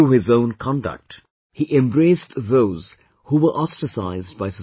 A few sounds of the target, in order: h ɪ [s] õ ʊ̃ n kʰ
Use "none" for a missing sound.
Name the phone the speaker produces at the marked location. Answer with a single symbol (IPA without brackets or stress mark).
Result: z